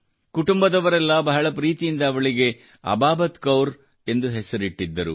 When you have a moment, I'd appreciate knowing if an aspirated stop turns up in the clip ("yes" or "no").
no